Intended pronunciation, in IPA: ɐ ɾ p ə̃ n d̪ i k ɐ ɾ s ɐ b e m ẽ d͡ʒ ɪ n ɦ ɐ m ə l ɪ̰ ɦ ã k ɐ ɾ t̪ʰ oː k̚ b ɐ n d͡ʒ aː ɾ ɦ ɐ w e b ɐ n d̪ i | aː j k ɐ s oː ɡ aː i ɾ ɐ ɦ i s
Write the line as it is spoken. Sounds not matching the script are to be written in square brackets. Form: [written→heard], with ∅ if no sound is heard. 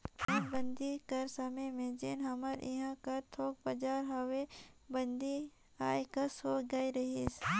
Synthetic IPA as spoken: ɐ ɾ [p→b] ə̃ n d̪ i k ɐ ɾ s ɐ [b→m] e m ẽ d͡ʒ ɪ n ɦ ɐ m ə [l→ɾ] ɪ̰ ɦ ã k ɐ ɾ t̪ʰ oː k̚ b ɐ [n→∅] d͡ʒ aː ɾ ɦ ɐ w e b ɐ n d̪ i | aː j k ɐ s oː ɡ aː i ɾ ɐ ɦ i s